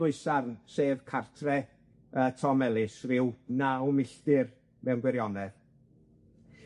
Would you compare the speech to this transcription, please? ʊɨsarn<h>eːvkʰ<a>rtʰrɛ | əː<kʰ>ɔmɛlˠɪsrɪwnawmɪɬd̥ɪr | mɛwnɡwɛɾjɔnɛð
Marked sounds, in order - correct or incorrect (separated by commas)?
incorrect, correct, incorrect